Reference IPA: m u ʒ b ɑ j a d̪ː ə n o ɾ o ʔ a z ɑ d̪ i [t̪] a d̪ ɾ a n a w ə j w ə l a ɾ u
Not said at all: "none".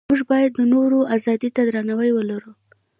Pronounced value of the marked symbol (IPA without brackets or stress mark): t̪